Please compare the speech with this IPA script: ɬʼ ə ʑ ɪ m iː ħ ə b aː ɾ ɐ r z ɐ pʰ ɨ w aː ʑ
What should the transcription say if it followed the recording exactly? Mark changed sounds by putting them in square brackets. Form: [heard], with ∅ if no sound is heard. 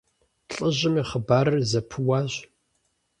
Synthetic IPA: ɬʼ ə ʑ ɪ m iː [χ] ə b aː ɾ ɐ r z ɐ pʰ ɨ w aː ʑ